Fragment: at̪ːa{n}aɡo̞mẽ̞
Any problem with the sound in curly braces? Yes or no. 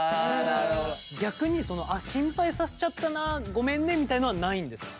no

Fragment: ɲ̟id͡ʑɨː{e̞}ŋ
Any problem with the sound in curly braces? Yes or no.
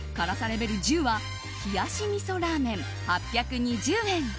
yes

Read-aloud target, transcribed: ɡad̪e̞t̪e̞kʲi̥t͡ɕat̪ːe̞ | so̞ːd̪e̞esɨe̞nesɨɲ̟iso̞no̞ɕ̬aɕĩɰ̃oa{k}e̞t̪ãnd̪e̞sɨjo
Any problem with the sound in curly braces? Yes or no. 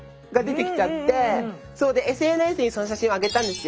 yes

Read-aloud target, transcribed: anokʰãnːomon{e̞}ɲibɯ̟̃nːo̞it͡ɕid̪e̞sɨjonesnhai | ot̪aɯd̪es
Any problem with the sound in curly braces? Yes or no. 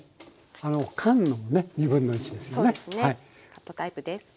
no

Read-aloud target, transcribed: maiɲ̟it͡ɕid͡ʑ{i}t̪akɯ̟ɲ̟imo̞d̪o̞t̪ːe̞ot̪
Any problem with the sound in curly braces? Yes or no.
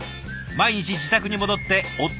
no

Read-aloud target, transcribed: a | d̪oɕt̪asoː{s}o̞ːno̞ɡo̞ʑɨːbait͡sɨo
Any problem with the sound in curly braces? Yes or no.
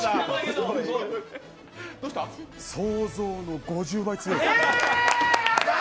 yes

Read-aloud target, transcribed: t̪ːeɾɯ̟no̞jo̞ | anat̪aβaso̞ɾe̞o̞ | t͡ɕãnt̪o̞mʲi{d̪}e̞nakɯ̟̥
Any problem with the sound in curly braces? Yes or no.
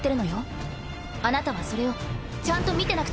yes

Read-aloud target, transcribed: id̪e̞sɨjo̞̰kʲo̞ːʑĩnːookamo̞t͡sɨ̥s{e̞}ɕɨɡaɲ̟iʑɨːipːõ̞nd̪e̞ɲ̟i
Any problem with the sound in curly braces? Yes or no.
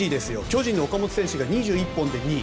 yes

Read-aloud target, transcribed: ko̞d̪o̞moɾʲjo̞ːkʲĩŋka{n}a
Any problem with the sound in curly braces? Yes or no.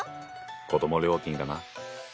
no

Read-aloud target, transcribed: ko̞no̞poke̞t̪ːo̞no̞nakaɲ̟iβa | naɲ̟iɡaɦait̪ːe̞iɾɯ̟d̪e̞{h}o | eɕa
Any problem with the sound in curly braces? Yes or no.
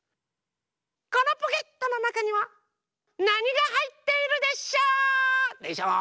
yes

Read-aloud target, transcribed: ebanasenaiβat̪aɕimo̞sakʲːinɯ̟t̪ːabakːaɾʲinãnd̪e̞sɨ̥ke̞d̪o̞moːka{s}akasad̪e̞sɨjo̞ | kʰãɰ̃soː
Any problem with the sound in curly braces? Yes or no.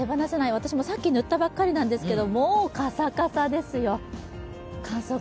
no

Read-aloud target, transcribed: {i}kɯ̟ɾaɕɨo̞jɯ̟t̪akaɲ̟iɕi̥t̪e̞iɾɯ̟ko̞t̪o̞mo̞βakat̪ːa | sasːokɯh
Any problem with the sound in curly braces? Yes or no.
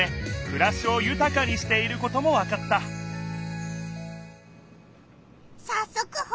yes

